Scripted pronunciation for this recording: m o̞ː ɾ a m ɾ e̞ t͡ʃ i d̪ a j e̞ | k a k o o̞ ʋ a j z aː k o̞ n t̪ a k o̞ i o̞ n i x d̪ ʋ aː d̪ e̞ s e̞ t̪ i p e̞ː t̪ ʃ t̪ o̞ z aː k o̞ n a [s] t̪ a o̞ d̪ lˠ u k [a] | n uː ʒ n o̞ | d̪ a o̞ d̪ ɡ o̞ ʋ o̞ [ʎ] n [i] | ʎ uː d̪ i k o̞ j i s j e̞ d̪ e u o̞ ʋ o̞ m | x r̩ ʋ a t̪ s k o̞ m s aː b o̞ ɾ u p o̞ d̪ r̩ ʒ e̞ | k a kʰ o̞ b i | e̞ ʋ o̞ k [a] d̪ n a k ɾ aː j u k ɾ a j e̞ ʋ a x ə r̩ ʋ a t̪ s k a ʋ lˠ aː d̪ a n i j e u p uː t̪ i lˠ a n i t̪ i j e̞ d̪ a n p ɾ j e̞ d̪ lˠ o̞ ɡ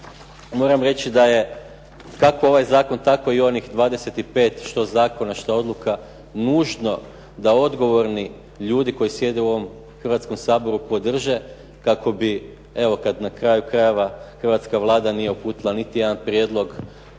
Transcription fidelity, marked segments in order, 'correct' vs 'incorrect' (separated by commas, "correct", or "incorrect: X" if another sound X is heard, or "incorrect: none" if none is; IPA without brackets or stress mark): incorrect: ʃ, correct, incorrect: ɾ, correct, correct